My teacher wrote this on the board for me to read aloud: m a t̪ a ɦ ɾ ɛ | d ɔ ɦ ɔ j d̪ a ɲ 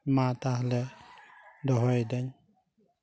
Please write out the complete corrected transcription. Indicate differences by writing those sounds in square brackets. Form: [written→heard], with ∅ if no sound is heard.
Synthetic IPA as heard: m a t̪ a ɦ [ɾ→l] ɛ | d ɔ ɦ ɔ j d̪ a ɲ